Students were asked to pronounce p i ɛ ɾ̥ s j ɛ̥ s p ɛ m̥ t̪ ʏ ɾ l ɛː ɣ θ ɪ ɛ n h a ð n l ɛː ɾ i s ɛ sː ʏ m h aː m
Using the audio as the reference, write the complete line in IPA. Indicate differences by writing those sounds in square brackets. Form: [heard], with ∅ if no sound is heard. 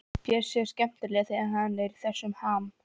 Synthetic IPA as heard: p [j] ɛ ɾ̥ s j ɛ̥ s [c] ɛ m̥ t̪ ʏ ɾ l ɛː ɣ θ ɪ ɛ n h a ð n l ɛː ɾ i [θ] ɛ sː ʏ m h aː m